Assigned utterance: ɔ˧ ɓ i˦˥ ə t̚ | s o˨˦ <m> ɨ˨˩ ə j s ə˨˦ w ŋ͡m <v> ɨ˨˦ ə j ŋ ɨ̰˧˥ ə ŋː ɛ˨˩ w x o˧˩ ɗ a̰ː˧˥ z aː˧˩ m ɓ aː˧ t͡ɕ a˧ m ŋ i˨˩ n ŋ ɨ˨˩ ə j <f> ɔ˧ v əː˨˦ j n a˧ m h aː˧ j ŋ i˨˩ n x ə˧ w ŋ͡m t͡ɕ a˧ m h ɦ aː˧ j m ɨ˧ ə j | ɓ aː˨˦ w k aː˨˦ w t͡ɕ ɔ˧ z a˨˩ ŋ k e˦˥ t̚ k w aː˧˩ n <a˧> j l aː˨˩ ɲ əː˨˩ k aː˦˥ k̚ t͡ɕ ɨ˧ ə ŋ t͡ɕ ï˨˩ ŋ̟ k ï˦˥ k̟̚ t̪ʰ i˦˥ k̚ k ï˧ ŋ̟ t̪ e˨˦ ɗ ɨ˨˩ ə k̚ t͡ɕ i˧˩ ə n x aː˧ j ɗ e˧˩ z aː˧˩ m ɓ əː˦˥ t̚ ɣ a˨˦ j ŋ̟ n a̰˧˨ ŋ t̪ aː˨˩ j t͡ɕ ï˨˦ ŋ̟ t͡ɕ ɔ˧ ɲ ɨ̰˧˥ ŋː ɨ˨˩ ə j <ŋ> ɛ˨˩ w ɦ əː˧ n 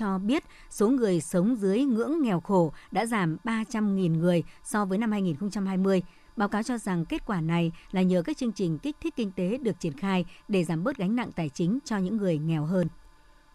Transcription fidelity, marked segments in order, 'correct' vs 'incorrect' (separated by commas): incorrect, incorrect, incorrect, incorrect, correct